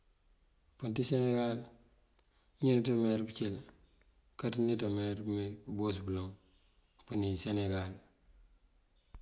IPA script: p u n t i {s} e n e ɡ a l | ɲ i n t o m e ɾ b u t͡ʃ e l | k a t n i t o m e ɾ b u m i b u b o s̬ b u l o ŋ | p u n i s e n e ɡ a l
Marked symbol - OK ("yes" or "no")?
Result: yes